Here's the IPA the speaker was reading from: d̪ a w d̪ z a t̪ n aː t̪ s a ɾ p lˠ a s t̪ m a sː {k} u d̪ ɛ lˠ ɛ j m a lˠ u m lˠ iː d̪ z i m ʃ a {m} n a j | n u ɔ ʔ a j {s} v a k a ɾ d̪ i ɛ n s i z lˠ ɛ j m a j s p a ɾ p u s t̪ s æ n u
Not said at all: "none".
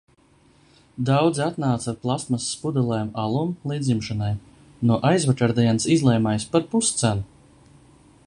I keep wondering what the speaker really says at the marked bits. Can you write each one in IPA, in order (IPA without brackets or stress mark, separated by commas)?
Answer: p, none, z